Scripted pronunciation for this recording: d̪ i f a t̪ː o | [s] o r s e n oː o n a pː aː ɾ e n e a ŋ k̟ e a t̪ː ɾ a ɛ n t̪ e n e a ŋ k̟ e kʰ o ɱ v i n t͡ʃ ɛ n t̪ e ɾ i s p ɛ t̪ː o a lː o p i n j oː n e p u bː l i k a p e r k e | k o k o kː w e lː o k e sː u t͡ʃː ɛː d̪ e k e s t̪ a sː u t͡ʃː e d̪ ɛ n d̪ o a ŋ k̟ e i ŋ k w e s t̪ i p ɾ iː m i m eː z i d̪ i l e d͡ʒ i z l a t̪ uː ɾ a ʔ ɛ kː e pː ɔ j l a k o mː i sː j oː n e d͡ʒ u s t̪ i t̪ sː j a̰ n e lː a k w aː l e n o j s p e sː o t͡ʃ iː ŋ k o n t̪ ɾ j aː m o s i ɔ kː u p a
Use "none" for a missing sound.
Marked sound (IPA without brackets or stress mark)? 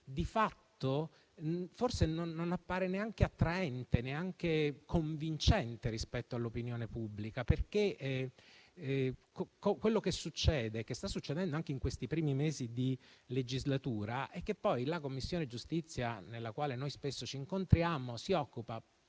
f